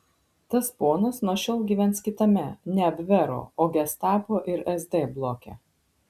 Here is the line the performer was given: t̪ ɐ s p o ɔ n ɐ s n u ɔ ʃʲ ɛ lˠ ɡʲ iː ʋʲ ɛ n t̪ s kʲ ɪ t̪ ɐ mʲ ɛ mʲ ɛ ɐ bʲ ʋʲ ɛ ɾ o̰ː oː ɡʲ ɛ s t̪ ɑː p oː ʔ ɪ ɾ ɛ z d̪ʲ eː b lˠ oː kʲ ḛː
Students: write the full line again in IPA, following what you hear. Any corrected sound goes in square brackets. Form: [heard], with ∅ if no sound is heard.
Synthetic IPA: t̪ ɐ s p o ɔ n ɐ s n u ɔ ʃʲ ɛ lˠ ɡʲ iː ʋʲ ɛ n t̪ s kʲ ɪ t̪ ɐ mʲ ɛ [nʲ] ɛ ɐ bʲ ʋʲ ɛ ɾ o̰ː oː ɡʲ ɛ s t̪ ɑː p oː ʔ ɪ ɾ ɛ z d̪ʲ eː b lˠ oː kʲ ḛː